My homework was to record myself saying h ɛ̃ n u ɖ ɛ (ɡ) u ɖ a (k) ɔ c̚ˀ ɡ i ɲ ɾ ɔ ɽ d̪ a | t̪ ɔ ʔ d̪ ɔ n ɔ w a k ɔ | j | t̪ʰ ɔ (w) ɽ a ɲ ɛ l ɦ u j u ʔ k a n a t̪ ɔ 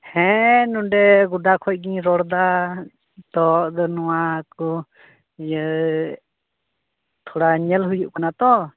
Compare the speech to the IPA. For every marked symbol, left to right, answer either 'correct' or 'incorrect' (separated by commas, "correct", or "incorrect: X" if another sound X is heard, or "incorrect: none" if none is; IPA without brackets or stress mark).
correct, incorrect: kʰ, incorrect: none